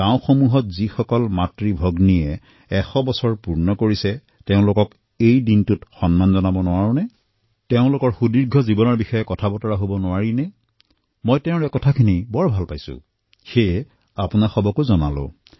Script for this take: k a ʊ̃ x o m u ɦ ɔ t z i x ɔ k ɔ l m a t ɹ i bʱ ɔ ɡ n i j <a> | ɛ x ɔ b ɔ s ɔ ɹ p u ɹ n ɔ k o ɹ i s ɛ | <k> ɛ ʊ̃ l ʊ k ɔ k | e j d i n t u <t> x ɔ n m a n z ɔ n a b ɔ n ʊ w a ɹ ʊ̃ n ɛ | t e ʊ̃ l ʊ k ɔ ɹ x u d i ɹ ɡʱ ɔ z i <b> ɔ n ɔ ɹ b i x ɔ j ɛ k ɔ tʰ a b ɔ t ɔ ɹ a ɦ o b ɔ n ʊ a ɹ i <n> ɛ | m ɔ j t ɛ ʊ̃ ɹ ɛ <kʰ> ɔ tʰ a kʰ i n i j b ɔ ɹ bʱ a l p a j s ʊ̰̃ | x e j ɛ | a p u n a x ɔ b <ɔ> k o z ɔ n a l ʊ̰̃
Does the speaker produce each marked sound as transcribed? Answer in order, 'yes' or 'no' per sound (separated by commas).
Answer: no, no, yes, yes, yes, no, yes